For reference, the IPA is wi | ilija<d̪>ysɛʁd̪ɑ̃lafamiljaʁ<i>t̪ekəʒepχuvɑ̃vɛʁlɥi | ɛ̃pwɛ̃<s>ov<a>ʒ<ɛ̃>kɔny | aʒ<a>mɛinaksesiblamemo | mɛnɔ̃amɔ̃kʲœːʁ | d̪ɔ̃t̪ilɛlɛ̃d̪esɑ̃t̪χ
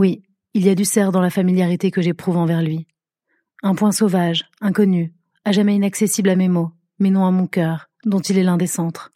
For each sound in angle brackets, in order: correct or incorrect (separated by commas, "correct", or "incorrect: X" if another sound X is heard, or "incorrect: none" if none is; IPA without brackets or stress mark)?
correct, correct, correct, correct, correct, correct